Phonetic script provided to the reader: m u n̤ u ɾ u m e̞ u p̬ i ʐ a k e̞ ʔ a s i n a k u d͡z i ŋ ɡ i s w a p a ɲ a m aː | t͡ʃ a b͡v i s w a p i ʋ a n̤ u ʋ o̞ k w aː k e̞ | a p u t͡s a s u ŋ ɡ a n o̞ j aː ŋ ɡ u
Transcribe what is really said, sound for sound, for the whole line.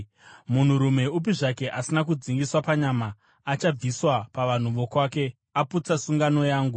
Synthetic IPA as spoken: m u n̤ u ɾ u m e̞ u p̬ i ʐ a k e̞ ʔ a s i n a k u d͡z i ŋ ɡ i s w a p a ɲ a m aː | t͡ʃ a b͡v i s w a p a ʋ a n̤ u ʋ o̞ k w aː k e̞ | a p u t͡s a s u ŋ ɡ a n o̞ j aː ŋ ɡ u